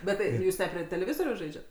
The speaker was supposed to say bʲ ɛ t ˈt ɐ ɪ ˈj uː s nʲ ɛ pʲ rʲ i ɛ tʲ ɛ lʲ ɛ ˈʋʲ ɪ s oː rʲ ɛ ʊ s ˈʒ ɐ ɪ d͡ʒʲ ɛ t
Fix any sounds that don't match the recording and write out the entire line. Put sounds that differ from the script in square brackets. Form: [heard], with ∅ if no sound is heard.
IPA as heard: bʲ ɛ t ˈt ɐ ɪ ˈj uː s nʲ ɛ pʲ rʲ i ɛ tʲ ɛ lʲ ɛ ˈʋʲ ɪ [z] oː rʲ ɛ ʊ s ˈʒ ɐ ɪ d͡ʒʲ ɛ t